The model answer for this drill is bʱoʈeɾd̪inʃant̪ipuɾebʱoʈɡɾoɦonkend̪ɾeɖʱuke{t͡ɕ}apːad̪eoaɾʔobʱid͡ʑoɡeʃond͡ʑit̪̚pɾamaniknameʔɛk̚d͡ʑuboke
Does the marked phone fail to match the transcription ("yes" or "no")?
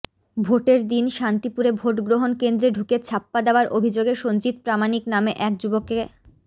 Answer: yes